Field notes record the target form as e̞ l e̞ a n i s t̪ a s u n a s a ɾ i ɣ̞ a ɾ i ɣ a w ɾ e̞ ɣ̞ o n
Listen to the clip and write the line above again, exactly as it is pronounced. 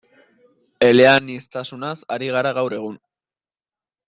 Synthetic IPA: e̞ l e̞ a n i s t̪ a s u n a s a ɾ i ɣ̞ a ɾ a ɣ a w ɾ e̞ ɣ̞ u n